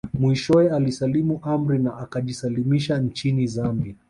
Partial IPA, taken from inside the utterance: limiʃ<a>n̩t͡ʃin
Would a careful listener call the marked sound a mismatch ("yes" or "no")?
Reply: no